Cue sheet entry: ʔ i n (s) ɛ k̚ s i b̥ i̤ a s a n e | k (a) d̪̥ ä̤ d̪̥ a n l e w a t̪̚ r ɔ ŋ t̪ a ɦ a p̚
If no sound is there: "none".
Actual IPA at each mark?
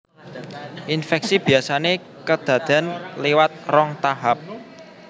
f, ə

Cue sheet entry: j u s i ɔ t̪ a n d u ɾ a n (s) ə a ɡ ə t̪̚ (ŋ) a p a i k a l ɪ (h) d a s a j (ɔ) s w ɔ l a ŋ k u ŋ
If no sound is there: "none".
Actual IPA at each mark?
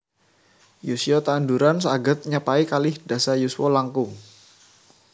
s, ɲ, h, u

